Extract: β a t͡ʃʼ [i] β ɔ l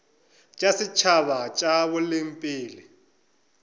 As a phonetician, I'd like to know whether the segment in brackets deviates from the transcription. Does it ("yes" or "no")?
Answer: yes